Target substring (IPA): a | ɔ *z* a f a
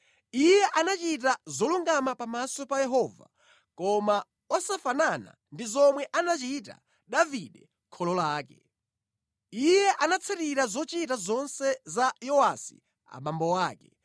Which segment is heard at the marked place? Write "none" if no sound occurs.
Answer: s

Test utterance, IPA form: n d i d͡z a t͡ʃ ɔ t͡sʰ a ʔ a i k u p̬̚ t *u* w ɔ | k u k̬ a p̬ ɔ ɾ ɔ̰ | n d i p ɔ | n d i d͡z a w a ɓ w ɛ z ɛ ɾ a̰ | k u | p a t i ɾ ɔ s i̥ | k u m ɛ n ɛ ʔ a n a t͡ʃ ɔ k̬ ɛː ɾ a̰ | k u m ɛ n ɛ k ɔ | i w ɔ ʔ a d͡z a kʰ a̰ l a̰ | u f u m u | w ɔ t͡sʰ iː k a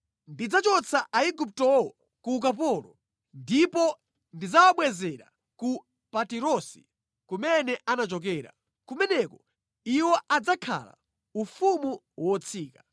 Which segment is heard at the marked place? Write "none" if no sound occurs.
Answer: ɔ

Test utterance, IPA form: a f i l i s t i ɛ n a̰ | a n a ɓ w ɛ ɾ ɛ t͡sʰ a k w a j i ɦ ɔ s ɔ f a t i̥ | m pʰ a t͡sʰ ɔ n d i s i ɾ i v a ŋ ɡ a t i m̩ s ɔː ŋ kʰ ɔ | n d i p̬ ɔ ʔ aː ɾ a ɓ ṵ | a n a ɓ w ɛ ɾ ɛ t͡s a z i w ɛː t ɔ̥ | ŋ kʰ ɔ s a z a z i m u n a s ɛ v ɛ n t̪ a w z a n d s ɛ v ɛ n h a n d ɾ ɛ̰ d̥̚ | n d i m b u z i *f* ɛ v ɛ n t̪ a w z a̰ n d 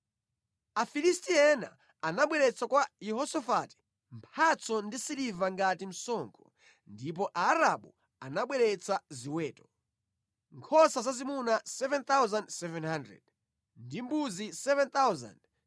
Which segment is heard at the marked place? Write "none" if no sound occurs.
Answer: s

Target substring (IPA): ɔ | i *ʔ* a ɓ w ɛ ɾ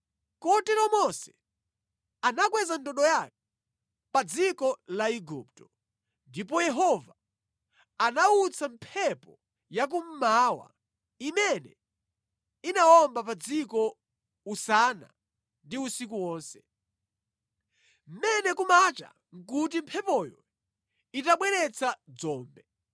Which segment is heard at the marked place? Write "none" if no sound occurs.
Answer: t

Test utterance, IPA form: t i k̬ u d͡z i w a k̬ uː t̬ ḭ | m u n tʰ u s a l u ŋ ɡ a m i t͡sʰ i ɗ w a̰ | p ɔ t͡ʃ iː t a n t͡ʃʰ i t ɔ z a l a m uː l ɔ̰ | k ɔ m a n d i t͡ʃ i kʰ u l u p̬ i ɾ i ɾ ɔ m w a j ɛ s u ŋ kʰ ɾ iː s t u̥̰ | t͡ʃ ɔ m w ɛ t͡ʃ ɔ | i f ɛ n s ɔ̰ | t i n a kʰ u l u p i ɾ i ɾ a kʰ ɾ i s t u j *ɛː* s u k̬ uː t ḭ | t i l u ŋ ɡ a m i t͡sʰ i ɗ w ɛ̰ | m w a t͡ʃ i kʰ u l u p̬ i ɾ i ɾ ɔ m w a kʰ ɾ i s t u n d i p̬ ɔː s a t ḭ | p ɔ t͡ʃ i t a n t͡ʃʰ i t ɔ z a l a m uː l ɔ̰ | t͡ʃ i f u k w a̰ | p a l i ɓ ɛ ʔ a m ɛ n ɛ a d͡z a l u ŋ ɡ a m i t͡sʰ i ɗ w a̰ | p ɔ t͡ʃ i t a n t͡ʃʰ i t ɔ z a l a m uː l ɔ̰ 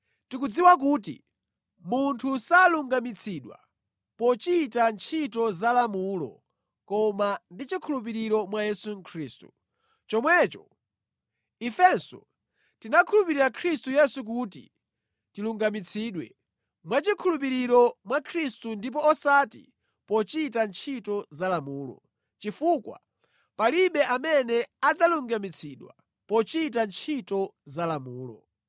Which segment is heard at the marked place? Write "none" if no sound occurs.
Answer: ɛ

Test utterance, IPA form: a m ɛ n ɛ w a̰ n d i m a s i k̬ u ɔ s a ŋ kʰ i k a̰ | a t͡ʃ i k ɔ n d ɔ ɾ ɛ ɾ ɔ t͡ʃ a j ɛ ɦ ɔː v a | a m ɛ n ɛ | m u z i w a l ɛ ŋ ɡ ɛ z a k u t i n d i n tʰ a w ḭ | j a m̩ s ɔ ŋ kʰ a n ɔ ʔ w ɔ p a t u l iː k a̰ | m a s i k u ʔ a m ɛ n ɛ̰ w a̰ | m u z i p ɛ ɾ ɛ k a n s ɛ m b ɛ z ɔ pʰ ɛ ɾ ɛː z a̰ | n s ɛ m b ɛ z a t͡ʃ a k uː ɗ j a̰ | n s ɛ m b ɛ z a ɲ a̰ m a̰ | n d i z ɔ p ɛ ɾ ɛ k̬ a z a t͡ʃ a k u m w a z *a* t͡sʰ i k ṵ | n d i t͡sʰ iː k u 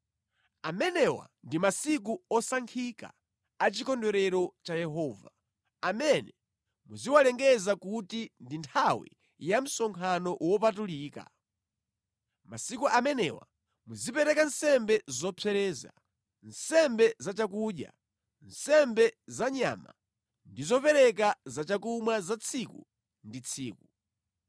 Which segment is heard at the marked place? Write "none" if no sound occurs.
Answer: a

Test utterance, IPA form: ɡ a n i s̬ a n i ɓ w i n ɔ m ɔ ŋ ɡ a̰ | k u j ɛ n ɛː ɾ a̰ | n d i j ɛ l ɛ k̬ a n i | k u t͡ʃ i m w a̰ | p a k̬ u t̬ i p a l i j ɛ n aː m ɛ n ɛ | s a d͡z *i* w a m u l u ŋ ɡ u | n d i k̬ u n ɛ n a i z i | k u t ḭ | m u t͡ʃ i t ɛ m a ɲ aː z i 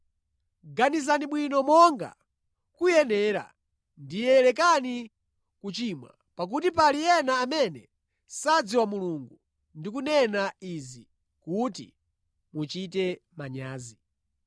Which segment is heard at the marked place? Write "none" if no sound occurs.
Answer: i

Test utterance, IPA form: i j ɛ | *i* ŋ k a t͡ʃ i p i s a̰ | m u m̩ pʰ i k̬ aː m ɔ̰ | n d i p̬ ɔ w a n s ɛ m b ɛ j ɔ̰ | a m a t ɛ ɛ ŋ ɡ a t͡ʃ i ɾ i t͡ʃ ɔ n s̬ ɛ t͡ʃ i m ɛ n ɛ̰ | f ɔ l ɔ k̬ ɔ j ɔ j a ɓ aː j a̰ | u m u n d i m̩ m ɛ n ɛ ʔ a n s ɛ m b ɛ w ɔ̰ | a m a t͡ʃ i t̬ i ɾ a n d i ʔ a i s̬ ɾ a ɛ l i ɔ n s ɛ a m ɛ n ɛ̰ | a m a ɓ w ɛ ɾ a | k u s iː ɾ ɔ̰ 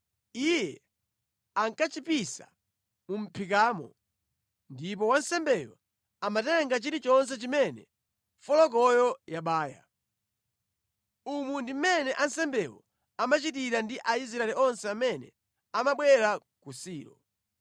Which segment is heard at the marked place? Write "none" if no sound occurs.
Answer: a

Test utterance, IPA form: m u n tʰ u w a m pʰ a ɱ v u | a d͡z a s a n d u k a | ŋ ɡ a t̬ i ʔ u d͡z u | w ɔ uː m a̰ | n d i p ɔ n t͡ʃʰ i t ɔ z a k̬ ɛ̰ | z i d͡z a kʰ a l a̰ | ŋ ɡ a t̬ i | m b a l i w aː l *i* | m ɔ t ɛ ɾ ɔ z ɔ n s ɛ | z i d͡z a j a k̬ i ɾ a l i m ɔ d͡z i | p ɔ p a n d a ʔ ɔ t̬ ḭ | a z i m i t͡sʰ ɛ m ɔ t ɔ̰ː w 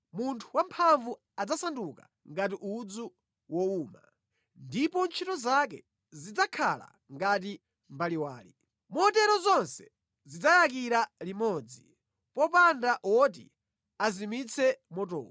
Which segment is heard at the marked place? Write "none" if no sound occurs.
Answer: i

